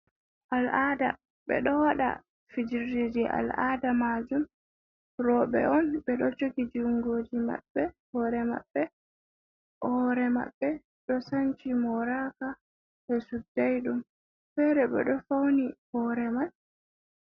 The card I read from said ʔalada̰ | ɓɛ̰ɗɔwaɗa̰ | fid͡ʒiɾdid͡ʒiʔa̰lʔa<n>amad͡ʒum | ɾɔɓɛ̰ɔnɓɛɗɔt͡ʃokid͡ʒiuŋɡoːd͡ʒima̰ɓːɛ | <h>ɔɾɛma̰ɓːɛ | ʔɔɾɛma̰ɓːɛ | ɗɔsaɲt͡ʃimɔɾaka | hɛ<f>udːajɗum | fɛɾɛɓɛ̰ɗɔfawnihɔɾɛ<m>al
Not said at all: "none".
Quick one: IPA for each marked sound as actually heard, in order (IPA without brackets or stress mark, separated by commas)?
d, h, s, m